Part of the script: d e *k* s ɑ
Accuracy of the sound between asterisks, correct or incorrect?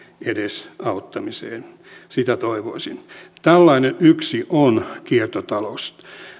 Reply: incorrect